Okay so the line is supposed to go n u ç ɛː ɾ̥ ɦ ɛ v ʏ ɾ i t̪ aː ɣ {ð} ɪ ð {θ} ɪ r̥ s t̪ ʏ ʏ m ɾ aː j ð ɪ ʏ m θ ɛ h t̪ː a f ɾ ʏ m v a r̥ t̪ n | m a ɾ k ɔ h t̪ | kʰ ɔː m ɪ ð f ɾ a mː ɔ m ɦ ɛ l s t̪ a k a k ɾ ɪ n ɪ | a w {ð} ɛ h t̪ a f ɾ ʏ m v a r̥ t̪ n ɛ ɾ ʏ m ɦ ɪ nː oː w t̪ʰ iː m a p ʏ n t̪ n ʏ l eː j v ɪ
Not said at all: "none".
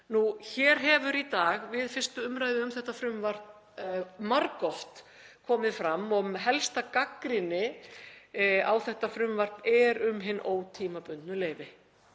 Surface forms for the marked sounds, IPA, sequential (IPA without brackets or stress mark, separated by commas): v, f, θ